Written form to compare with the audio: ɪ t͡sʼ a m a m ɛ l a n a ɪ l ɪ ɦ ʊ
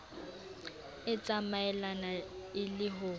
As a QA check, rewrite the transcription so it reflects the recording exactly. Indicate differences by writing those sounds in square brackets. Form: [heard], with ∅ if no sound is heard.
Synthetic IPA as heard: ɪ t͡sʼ a m a [∅] ɛ l a n a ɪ l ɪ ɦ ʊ